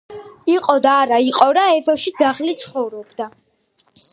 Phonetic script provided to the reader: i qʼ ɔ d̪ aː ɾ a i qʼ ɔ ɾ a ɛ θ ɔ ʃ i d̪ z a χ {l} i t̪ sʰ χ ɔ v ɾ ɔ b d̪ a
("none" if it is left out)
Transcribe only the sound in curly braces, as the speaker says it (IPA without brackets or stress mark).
l